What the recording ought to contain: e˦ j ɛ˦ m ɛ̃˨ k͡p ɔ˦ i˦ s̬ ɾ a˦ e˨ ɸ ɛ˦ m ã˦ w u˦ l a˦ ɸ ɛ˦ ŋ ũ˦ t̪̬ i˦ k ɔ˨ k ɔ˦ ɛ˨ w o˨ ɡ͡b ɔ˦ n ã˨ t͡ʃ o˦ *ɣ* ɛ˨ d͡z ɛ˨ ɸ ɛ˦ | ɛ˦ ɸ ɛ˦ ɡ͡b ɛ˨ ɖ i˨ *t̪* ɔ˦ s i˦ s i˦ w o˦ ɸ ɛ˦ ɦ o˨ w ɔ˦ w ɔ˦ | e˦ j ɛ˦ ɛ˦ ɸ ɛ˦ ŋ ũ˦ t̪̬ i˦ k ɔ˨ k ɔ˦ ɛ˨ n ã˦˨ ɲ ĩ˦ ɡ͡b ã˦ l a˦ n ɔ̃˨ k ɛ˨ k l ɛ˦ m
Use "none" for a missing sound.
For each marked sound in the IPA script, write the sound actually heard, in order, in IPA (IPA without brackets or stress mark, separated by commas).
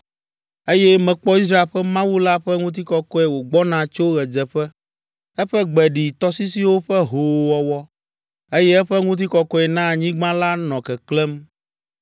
ɣ, t̪